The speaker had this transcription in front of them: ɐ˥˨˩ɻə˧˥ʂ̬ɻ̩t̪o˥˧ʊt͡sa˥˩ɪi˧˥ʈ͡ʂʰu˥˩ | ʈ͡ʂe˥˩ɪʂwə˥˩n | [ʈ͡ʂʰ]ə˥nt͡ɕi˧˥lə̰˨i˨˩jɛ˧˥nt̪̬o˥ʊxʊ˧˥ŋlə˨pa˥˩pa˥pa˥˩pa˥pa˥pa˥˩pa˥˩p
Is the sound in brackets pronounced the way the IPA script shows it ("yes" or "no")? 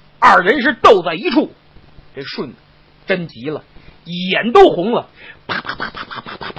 no